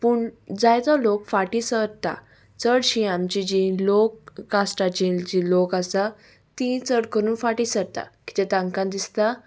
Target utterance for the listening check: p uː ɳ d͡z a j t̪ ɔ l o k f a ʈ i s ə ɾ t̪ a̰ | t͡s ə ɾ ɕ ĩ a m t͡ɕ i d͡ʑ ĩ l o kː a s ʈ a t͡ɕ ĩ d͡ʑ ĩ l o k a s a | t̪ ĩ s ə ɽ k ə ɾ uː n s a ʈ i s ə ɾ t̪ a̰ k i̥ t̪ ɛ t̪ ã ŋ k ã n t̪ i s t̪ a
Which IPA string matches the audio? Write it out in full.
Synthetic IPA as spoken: p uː ɳ d͡z a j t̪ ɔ l o k f a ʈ i s ə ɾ t̪ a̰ | t͡s ə ɽ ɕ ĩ a m t͡ɕ i d͡ʑ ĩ l o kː a s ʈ a t͡ɕ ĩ d͡ʑ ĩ l o k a s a | t̪ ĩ t͡s ə ɽ k ə ɾ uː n f a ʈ i s ə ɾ t̪ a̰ k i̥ t̪ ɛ t̪ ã ŋ k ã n d̪ i s t̪ a